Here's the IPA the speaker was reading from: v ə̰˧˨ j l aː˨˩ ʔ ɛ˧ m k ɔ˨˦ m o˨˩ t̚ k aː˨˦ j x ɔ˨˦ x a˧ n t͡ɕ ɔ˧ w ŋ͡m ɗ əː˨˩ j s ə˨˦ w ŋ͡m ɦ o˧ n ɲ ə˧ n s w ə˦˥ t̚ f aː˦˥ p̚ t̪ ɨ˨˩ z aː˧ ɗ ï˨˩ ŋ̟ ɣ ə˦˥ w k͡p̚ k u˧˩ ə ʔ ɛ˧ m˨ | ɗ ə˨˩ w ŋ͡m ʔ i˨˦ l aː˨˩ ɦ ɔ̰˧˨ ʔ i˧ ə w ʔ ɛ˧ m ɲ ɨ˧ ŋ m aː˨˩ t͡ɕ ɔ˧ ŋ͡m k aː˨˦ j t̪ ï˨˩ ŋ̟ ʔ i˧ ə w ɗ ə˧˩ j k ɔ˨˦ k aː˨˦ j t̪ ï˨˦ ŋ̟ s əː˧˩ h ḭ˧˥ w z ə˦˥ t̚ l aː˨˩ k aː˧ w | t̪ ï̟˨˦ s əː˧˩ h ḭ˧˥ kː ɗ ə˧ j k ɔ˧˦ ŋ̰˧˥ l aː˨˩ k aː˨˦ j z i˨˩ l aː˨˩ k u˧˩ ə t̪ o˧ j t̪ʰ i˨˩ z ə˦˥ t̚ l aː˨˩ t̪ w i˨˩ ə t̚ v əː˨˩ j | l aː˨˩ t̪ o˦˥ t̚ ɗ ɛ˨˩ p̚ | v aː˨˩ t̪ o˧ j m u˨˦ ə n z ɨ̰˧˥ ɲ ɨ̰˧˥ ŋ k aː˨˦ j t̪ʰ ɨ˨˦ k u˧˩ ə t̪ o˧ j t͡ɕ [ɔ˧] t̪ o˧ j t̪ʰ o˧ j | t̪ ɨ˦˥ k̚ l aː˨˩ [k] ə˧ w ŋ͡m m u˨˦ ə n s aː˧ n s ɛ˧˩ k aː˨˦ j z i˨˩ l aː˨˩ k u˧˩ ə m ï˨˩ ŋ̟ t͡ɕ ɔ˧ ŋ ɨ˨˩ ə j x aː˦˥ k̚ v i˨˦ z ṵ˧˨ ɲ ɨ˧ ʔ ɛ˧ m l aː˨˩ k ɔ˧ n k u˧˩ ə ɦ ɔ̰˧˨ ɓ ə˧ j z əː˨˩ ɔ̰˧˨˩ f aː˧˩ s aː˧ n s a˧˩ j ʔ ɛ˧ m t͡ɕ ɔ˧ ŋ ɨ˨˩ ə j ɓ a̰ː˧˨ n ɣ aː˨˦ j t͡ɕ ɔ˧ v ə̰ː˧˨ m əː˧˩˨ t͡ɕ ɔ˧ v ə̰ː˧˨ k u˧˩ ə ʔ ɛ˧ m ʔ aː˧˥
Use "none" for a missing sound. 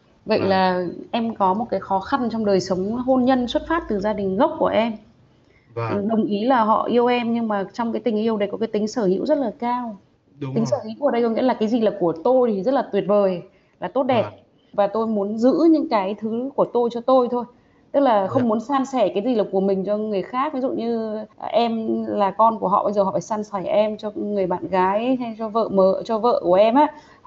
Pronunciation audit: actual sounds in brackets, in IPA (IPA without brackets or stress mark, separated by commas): ɔ˧, x